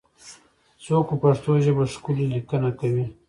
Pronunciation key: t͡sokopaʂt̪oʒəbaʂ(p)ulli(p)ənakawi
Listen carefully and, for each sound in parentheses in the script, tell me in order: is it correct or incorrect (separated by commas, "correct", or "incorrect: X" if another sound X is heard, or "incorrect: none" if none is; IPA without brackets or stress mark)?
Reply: incorrect: k, incorrect: k